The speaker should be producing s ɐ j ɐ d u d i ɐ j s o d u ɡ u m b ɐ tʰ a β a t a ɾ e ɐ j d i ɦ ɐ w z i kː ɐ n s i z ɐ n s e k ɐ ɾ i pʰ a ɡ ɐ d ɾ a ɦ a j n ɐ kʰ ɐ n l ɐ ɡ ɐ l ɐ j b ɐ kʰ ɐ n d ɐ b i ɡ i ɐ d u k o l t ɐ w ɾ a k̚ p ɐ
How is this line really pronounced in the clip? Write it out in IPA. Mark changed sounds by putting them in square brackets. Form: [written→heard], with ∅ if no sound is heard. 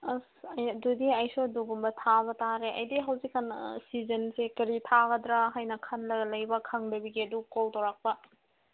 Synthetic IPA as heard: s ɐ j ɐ d u d i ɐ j s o d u ɡ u m b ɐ tʰ a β [a→ɐ] t a ɾ e ɐ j d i ɦ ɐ w z i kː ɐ n s i z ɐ n s e k ɐ ɾ i [pʰ→tʰ] a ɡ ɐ d ɾ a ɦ a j n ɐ kʰ ɐ n l ɐ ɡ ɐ l ɐ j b ɐ kʰ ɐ [n→ŋ] d ɐ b i ɡ i ɐ d u k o l t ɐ w ɾ a k̚ p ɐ